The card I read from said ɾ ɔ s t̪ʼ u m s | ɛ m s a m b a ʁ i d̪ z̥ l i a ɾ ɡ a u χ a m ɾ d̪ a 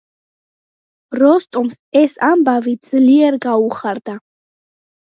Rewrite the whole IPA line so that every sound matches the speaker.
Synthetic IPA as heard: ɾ ɔ s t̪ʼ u m s | ɛ s a m b a v i d̪ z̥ l i ɛ ɾ ɡ a u χ a ɾ d̪ a